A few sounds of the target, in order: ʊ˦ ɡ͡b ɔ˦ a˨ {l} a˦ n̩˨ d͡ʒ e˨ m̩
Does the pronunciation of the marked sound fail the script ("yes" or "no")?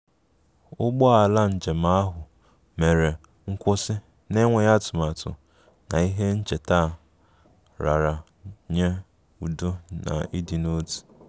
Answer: no